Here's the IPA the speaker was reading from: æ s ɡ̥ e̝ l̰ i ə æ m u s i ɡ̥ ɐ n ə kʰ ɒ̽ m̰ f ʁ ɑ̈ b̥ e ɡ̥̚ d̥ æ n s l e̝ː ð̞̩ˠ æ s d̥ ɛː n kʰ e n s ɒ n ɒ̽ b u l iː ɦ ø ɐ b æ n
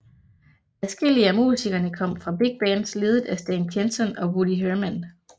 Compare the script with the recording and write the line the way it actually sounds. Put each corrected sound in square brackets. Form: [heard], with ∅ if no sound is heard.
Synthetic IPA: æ s ɡ̥ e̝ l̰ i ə æ m u s i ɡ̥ ɐ n ə kʰ ɒ̽ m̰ f ʁ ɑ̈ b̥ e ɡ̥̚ [b̥] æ n s l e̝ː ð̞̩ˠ æ s d̥ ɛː n kʰ e n s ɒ n ɒ̽ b u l [i] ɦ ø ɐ [m] æ n